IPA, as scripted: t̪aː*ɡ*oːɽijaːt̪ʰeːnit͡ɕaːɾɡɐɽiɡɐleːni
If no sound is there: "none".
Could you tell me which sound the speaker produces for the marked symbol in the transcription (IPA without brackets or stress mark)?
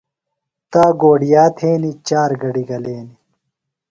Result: ɡ